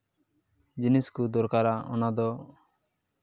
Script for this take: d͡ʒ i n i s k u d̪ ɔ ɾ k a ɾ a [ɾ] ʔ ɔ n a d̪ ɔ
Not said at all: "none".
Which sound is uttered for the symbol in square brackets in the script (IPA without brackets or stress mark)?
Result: none